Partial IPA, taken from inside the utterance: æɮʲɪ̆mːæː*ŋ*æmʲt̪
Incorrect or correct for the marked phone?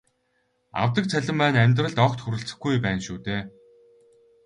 incorrect: n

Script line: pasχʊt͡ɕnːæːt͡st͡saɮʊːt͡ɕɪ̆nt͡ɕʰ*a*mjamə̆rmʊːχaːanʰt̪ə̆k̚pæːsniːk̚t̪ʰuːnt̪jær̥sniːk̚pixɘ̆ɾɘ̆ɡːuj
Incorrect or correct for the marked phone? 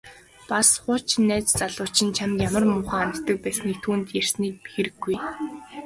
correct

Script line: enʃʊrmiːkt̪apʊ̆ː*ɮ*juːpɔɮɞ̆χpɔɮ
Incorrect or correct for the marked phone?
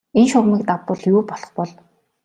correct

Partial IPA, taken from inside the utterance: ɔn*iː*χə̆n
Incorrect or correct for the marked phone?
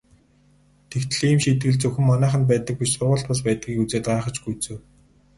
incorrect: æː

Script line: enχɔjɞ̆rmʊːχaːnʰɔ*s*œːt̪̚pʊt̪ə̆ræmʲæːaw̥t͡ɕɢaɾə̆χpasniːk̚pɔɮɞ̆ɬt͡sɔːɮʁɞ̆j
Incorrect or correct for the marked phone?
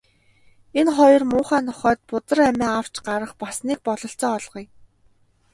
incorrect: χ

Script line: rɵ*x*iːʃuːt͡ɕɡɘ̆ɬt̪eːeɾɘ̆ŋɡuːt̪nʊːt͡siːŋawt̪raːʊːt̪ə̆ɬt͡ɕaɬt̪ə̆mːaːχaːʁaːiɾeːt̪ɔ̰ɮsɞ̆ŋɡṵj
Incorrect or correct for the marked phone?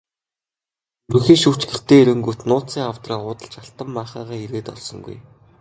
correct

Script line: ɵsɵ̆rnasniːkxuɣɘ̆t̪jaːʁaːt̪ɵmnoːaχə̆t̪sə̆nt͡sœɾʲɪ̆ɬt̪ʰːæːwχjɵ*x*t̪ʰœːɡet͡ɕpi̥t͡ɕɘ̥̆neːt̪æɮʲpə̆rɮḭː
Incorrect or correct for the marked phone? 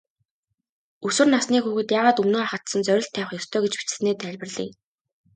incorrect: s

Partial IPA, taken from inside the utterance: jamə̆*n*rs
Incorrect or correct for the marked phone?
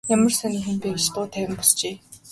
incorrect: none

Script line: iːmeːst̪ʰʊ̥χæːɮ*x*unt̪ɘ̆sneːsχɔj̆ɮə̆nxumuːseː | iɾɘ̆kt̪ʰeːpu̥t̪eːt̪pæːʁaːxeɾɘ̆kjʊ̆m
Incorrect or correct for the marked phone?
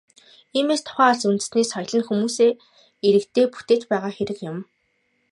incorrect: s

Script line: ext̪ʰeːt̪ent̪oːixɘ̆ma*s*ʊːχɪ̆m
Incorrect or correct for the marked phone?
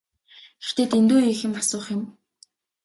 correct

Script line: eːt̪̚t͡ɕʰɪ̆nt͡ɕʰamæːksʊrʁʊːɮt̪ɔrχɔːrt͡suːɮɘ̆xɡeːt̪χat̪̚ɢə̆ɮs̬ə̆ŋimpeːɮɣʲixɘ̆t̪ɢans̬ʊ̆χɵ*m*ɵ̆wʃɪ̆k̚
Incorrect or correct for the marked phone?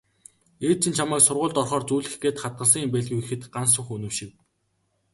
incorrect: n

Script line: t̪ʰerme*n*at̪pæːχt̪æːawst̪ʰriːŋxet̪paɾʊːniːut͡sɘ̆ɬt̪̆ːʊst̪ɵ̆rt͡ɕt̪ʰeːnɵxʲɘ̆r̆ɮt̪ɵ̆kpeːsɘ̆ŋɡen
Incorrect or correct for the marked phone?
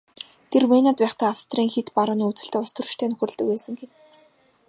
correct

